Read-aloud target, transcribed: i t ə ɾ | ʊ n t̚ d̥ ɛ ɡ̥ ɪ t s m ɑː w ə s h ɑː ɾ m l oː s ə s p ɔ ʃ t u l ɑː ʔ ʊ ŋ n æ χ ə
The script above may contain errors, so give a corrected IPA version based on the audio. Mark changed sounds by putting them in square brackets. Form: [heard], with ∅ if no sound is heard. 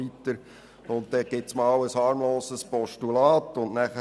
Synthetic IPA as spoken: i t ə ɾ | ʊ n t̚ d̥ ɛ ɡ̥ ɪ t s m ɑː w ə s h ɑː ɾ m l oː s ə s p ɔ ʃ t u l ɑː [t] ʊ [n] n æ χ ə